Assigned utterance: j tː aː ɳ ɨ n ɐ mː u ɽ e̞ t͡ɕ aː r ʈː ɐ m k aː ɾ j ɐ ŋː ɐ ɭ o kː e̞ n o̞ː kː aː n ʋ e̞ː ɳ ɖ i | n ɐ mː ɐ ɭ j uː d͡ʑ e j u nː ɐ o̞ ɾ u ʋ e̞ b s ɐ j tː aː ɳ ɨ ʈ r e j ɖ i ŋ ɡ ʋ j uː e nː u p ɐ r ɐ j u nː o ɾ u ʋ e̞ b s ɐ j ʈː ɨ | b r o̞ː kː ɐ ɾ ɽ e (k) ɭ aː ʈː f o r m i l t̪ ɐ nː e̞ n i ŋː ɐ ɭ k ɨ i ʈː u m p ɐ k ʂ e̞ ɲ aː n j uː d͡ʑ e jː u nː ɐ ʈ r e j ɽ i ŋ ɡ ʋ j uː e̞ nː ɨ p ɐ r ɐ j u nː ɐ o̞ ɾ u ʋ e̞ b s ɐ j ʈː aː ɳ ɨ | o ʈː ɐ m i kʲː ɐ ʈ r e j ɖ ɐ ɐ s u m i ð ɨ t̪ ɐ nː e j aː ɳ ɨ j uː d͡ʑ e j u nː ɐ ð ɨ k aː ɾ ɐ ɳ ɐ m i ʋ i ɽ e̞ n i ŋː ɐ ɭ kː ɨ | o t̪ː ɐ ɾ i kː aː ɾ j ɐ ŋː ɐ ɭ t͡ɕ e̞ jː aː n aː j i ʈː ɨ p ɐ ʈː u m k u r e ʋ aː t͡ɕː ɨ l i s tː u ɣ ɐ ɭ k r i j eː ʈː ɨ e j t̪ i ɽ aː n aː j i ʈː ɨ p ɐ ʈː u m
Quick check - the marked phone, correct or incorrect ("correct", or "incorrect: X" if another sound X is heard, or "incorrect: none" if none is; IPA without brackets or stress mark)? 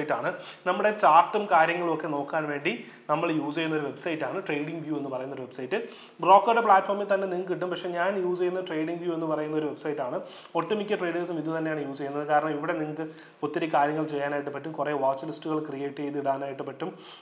incorrect: p